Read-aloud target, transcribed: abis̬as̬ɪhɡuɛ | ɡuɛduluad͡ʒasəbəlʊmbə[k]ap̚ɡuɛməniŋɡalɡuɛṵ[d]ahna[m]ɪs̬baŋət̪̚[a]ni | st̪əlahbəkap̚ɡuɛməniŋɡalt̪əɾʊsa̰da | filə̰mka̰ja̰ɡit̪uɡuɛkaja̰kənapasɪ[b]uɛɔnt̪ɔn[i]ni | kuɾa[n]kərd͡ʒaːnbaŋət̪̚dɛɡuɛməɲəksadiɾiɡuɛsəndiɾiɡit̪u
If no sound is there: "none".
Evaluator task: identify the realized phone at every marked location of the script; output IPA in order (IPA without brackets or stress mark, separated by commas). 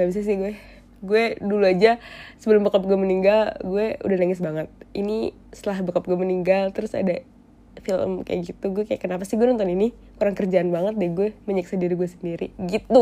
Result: k, d, ŋ, i, ɡ, i, ŋ